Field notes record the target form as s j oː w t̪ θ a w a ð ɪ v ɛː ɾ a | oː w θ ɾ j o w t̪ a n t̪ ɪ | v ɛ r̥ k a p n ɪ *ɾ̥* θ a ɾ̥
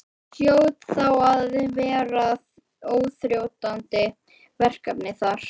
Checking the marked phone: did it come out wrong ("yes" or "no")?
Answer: yes